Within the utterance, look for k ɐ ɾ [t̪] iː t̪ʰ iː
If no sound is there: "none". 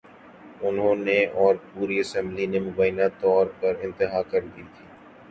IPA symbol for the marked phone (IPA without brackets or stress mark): d̪